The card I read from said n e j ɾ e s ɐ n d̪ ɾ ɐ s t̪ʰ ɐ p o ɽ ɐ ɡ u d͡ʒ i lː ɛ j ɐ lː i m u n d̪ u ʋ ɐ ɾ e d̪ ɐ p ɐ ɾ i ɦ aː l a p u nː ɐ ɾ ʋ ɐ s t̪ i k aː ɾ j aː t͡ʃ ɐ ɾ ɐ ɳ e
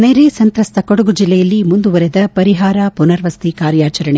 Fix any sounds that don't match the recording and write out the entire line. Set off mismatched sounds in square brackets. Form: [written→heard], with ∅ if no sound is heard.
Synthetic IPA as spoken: n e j ɾ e s ɐ n [d̪→t̪] ɾ ɐ s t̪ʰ ɐ [p→k] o ɽ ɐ ɡ u d͡ʒ i lː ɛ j ɐ lː i m u n d̪ u ʋ ɐ ɾ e d̪ ɐ p ɐ ɾ i ɦ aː [l→ɾ] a p u [nː→n] ɐ ɾ ʋ ɐ s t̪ i k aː ɾ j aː t͡ʃ ɐ ɾ ɐ ɳ e